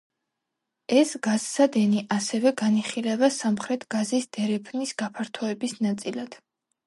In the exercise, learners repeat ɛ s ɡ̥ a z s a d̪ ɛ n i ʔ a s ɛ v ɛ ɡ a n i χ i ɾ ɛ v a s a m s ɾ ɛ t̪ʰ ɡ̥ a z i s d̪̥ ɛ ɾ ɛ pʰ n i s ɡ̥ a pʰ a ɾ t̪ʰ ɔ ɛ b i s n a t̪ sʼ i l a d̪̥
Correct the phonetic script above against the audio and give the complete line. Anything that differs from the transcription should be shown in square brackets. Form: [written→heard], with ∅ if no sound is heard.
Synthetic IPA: ɛ s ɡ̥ a z s a d̪ ɛ n i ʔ a s ɛ v ɛ ɡ a n i χ i [ɾ→l] ɛ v a s a m [s→χ] ɾ ɛ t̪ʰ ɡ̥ a z i s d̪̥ ɛ ɾ ɛ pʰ n i s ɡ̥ a pʰ a ɾ t̪ʰ ɔ ɛ b i s n a t̪ sʼ i l a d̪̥

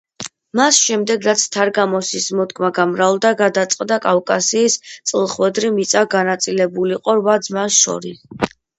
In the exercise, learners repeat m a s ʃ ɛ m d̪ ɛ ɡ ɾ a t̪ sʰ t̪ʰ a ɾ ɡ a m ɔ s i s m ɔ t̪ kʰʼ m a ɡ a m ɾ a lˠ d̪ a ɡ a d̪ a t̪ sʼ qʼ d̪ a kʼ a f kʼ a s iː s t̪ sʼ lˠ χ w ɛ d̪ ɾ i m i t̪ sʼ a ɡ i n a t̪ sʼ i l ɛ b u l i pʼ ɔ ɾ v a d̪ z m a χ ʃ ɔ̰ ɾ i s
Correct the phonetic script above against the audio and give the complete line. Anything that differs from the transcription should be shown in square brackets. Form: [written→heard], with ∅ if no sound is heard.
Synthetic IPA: m a s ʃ ɛ m d̪ ɛ ɡ ɾ a t̪ sʰ t̪ʰ a ɾ ɡ a m ɔ s i s m ɔ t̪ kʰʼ m a ɡ a m ɾ a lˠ d̪ a ɡ a d̪ a t̪ sʼ qʼ d̪ a kʼ a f kʼ a s iː s t̪ sʼ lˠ χ w ɛ d̪ ɾ i m i t̪ sʼ a ɡ [i→a] n a t̪ sʼ i l ɛ b u l i [pʼ→qʼ] ɔ ɾ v a d̪ z m a [χ→s] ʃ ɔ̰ ɾ i s

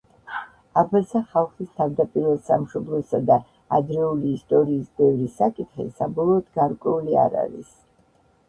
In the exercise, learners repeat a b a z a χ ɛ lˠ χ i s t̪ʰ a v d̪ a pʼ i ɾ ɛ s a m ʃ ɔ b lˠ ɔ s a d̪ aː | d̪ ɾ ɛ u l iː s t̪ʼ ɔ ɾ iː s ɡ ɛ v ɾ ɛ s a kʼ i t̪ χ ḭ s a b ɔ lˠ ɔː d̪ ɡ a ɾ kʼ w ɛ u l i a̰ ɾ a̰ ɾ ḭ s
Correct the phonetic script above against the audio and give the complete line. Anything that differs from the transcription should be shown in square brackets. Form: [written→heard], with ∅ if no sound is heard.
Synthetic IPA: a b a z a χ [ɛ→a] lˠ χ i s t̪ʰ a v d̪ a pʼ i ɾ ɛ s a m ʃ ɔ b lˠ ɔ s a d̪ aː | d̪ ɾ ɛ u l iː s t̪ʼ ɔ ɾ iː s [ɡ→b] ɛ v ɾ [ɛ→i] s a kʼ i t̪ χ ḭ s a b ɔ lˠ ɔː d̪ ɡ a ɾ kʼ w ɛ u l i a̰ ɾ a̰ ɾ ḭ s

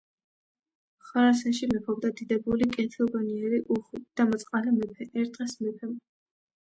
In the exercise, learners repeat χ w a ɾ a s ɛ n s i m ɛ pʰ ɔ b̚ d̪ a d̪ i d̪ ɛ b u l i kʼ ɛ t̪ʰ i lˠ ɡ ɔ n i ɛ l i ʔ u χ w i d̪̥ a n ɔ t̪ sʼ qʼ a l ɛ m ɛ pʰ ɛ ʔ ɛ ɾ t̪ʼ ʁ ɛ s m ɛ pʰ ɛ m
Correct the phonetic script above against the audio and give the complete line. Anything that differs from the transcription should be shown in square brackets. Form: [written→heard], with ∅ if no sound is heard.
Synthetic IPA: χ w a ɾ a s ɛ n [s→ʃ] i m ɛ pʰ ɔ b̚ d̪ a d̪ i d̪ ɛ b u l i kʼ ɛ t̪ʰ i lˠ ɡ ɔ n i ɛ [l→ɾ] i ʔ u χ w i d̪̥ a [n→m] ɔ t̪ sʼ qʼ a l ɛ m ɛ pʰ ɛ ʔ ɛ ɾ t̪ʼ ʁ ɛ s m ɛ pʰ ɛ m

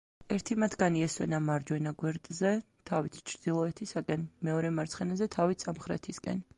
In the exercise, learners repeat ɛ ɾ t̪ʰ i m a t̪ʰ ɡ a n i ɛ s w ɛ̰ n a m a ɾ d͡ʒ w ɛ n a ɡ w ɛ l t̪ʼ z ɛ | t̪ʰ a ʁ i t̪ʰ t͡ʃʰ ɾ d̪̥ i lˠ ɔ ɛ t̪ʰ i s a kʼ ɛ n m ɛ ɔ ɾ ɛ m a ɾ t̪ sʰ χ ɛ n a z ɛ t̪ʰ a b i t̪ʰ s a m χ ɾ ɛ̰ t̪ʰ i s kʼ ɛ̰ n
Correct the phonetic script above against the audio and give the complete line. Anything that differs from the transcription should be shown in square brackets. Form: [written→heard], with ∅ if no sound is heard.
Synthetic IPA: ɛ ɾ t̪ʰ i m a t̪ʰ ɡ a n i ɛ s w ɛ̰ n a m a ɾ d͡ʒ w ɛ n a ɡ w ɛ [l→ɾ] t̪ʼ z ɛ | t̪ʰ a [ʁ→v] i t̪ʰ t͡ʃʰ ɾ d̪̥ i lˠ ɔ ɛ t̪ʰ i s a kʼ ɛ n m ɛ ɔ ɾ ɛ m a ɾ t̪ sʰ χ ɛ n a z ɛ t̪ʰ a [b→v] i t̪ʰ s a m χ ɾ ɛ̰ t̪ʰ i s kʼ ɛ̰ n

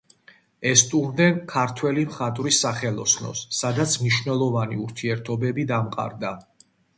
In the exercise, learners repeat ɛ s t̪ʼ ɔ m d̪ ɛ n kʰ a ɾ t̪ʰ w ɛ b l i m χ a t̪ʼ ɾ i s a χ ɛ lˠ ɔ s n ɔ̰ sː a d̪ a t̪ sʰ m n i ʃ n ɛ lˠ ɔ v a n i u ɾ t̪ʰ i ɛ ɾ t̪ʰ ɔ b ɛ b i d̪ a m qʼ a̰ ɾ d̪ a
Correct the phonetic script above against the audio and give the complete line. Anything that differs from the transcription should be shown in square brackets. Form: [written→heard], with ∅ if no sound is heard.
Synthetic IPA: ɛ s t̪ʼ [ɔ→u] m d̪ ɛ n kʰ a ɾ t̪ʰ w ɛ [b→∅] l i m χ a t̪ʼ ɾ i s a χ ɛ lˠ ɔ s n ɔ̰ sː a d̪ a t̪ sʰ m n i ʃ n ɛ lˠ ɔ v a n i u ɾ t̪ʰ i ɛ ɾ t̪ʰ ɔ b ɛ b i d̪ a m qʼ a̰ ɾ d̪ a

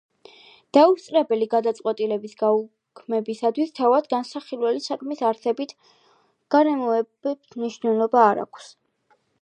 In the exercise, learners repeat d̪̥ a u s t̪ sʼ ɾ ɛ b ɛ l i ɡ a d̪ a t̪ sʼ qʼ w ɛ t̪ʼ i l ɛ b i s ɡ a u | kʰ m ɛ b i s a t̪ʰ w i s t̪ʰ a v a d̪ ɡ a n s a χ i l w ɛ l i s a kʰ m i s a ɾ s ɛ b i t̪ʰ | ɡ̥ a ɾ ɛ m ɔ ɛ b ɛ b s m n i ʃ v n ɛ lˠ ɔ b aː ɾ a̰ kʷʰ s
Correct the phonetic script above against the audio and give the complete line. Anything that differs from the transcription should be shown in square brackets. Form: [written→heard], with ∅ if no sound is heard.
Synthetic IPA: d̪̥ a u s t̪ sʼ ɾ ɛ b ɛ l i ɡ a d̪ a t̪ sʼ qʼ w ɛ t̪ʼ i l ɛ b i s ɡ a u | kʰ m ɛ b i s a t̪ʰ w i s t̪ʰ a v a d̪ ɡ a n s a χ i l w ɛ l i s a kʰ m i s a ɾ s ɛ b i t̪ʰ | ɡ̥ a ɾ ɛ m ɔ ɛ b ɛ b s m n i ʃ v n ɛ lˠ ɔ b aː ɾ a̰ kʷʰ s

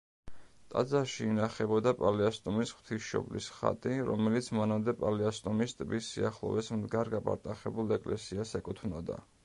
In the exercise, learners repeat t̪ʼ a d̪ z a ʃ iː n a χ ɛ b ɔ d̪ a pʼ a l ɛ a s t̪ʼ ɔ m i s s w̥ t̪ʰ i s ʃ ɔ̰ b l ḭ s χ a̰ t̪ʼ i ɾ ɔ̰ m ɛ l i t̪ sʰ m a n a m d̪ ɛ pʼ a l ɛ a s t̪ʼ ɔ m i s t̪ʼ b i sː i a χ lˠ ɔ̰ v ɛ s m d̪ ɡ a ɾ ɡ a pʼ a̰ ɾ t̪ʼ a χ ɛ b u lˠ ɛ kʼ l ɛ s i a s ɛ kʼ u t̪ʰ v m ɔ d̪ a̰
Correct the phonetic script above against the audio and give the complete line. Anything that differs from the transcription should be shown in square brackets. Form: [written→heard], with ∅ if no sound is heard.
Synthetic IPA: t̪ʼ a d̪ z a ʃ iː n a χ ɛ b ɔ d̪ a pʼ a l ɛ a s t̪ʼ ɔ m i s [s→χ] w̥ t̪ʰ i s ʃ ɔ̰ b l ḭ s χ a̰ t̪ʼ i ɾ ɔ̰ m ɛ l i t̪ sʰ m a n a m d̪ ɛ pʼ a l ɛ a s t̪ʼ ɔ m i s t̪ʼ b i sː i a χ lˠ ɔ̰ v ɛ s m d̪ ɡ a ɾ ɡ a pʼ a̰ ɾ t̪ʼ a χ ɛ b u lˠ ɛ kʼ l ɛ s i a s ɛ kʼ u t̪ʰ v [m→n] ɔ d̪ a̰

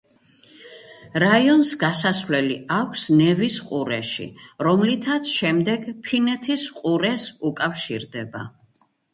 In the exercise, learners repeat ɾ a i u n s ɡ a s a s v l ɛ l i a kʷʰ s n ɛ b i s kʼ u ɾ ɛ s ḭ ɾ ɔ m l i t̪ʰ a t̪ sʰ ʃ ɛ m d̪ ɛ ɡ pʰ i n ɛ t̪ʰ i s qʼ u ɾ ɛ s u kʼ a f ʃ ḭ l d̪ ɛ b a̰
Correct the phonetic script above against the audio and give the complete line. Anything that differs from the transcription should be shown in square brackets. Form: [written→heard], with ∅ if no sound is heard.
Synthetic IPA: ɾ a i [u→ɔ] n s ɡ a s a s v l ɛ l i a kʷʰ s n ɛ [b→v] i s [kʼ→qʼ] u ɾ ɛ [s→ʃ] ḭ ɾ ɔ m l i t̪ʰ a t̪ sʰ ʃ ɛ m d̪ ɛ ɡ pʰ i n ɛ t̪ʰ i s qʼ u ɾ ɛ s u kʼ a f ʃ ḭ [l→ɾ] d̪ ɛ b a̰

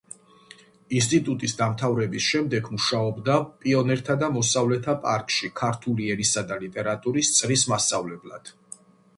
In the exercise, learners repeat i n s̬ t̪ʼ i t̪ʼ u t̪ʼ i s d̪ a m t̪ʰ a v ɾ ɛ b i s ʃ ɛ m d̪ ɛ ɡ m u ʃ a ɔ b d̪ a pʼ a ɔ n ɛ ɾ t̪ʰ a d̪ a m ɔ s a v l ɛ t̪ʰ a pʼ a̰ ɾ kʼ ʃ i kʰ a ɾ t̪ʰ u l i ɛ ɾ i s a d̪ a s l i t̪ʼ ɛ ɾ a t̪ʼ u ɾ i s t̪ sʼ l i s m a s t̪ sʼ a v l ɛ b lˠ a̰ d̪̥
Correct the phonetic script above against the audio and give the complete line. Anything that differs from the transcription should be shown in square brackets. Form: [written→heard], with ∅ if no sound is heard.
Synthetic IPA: i n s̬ t̪ʼ i t̪ʼ u t̪ʼ i s d̪ a m t̪ʰ a v ɾ ɛ b i s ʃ ɛ m d̪ ɛ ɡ m u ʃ a ɔ b d̪ a pʼ [a→i] ɔ n ɛ ɾ t̪ʰ a d̪ a m ɔ s a v l ɛ t̪ʰ a pʼ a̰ ɾ kʼ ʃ i kʰ a ɾ t̪ʰ u l i ɛ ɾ i s a d̪ a [s→∅] l i t̪ʼ ɛ ɾ a t̪ʼ u ɾ i s t̪ sʼ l i s m a s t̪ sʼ a v l ɛ b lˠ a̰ d̪̥

